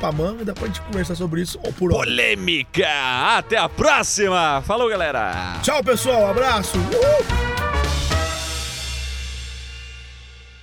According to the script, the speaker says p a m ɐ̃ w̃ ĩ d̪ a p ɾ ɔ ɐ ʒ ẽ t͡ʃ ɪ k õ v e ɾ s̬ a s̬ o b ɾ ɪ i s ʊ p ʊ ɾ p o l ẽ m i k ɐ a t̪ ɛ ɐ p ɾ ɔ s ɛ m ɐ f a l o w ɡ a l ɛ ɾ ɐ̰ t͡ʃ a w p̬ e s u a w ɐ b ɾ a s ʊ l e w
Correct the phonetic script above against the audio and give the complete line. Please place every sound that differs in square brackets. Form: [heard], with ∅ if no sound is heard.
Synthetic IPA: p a m ɐ̃ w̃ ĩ d̪ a p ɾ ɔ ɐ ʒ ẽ t͡ʃ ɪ k õ v e ɾ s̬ a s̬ o b ɾ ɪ i s ʊ p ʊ ɾ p o l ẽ m i k ɐ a t̪ ɛ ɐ p ɾ ɔ s [i] m ɐ f a l o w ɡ a l ɛ ɾ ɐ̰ t͡ʃ a w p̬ e s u a w [a] b ɾ a s ʊ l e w